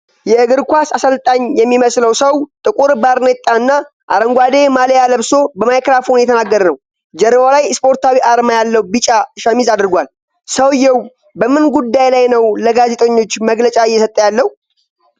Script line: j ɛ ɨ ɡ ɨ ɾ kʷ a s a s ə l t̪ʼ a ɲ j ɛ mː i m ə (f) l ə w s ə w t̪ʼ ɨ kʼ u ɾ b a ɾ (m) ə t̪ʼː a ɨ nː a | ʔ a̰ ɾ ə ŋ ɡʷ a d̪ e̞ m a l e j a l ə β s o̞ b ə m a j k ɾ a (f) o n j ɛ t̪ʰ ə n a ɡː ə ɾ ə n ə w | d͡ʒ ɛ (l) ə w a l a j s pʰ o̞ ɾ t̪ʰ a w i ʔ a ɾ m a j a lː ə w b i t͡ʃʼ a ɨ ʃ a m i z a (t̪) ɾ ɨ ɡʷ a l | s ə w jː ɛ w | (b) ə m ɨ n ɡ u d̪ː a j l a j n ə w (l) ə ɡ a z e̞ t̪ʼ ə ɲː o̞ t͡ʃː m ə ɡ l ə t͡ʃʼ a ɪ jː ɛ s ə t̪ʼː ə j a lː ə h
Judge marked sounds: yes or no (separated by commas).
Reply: no, no, yes, no, no, yes, yes